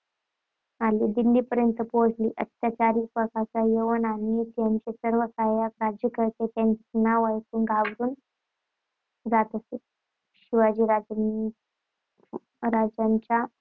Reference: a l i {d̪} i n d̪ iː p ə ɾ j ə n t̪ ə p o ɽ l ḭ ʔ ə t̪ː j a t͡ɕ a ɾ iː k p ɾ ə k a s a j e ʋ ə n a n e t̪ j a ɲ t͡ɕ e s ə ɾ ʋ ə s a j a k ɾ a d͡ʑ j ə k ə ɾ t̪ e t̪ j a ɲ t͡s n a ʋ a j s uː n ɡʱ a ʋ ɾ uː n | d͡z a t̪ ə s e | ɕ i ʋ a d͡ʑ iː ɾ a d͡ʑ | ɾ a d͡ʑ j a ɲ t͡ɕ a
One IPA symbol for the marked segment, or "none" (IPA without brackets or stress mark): d̪